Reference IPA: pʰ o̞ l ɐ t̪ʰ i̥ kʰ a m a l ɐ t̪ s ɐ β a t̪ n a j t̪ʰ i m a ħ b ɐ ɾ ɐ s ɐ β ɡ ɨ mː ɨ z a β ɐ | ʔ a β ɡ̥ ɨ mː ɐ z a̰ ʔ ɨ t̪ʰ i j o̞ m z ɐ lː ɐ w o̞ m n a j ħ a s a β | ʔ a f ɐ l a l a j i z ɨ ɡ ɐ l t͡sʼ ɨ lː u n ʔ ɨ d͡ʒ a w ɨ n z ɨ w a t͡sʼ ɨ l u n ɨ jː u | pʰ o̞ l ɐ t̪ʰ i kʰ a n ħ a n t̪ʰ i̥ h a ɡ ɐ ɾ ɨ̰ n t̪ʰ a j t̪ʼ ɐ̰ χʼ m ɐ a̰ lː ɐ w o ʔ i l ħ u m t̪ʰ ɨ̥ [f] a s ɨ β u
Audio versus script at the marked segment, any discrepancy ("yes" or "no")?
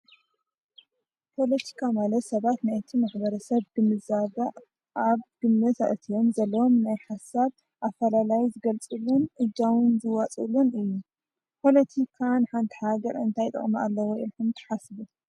yes